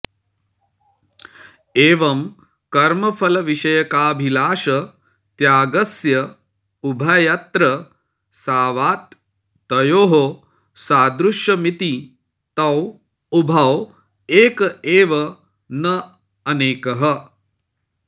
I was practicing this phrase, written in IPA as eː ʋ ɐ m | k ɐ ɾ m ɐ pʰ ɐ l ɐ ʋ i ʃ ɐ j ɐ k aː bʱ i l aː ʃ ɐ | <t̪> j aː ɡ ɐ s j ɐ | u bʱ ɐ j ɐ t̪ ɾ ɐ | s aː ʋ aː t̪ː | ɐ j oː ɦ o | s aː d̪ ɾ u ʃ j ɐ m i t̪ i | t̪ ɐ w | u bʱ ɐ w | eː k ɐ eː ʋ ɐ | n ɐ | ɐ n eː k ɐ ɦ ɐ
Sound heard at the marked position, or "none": t̪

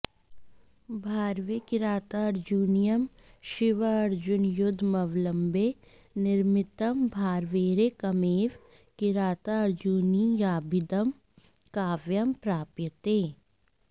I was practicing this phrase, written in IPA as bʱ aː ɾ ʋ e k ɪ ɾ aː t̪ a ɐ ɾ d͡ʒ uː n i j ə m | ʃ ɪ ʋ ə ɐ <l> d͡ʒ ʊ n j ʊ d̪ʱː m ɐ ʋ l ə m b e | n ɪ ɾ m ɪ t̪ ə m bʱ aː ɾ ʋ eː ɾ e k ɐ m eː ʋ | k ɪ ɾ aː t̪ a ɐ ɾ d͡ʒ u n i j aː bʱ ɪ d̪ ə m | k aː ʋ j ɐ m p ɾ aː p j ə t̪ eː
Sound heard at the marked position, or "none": ɾ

